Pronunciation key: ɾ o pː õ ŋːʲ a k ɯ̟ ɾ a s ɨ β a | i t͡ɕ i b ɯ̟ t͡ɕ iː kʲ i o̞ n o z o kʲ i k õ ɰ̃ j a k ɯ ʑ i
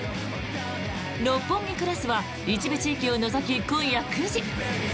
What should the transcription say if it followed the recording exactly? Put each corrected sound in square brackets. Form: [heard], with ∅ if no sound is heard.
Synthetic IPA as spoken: ɾ o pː õ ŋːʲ [i] k ɯ̟ ɾ a s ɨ β a | i t͡ɕ i b ɯ̟ t͡ɕ iː kʲ i o̞ n o z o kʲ i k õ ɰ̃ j a k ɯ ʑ i